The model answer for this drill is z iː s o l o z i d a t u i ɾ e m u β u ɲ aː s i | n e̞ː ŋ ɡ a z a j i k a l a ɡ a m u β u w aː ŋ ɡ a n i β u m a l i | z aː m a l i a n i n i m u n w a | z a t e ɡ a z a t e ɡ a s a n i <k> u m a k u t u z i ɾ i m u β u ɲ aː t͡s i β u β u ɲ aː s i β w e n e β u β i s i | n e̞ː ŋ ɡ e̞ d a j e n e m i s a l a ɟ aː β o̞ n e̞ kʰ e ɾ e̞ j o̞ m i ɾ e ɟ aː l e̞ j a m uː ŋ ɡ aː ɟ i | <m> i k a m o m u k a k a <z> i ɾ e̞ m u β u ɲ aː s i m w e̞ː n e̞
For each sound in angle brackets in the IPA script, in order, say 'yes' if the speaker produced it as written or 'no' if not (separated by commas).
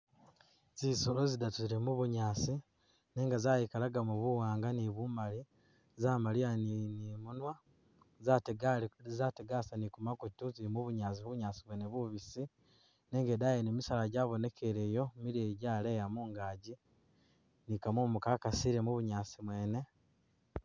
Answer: yes, no, no